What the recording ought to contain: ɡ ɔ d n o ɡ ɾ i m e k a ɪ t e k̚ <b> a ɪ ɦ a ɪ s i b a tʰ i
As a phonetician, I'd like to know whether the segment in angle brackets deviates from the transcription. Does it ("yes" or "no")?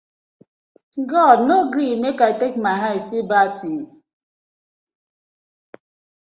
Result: yes